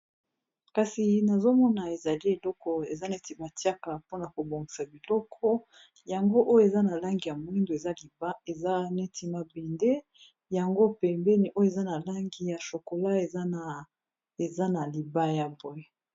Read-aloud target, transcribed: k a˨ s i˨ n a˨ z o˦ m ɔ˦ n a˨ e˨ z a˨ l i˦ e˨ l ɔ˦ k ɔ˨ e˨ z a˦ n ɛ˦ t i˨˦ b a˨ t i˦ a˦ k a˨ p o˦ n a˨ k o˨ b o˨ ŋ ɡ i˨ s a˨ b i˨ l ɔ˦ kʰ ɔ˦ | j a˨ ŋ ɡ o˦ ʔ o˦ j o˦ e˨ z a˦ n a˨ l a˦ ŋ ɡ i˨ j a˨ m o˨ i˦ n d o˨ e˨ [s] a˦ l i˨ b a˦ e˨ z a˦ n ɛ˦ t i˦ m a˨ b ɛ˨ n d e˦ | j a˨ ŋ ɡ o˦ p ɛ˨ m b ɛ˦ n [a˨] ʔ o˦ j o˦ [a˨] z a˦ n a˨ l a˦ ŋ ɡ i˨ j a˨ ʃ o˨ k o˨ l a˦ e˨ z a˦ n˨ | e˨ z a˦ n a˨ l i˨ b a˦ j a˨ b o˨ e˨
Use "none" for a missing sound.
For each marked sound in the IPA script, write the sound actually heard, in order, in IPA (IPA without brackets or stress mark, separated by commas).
z, i˨, e˨